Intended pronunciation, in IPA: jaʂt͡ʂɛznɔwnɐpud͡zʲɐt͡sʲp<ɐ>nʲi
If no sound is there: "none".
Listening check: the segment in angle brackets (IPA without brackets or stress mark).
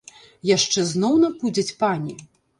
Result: a